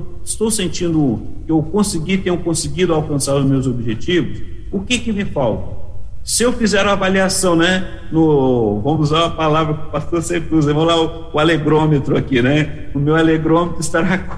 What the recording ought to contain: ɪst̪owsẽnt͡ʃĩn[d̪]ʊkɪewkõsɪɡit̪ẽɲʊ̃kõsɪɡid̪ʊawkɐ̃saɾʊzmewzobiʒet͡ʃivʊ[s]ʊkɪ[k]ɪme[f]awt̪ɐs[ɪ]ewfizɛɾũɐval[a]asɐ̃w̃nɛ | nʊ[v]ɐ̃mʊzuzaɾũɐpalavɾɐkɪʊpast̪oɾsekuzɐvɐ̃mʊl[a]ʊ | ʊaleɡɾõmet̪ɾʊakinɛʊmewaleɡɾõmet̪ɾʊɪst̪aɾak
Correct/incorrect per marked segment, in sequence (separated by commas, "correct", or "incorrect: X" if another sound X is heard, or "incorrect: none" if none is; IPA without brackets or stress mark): correct, correct, correct, correct, correct, incorrect: i, correct, correct